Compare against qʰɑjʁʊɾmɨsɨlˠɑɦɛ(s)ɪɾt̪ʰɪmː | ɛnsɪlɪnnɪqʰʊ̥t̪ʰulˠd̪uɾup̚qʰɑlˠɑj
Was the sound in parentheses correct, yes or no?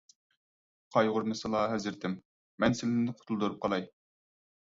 no